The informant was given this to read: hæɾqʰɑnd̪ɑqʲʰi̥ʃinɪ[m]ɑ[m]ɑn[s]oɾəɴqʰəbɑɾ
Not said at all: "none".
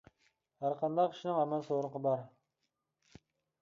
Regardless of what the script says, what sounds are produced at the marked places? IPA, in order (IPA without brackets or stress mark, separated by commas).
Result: ŋ, m, s